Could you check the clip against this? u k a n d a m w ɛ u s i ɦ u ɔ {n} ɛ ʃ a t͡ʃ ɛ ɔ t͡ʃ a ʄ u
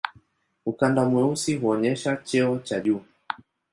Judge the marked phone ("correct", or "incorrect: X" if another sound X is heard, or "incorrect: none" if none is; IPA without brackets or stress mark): incorrect: ɲ